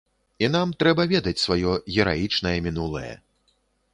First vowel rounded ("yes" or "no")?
no